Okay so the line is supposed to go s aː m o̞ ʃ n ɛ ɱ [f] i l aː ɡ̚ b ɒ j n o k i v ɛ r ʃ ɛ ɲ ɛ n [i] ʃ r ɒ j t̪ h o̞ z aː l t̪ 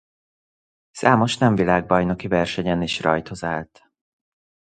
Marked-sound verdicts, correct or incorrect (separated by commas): incorrect, correct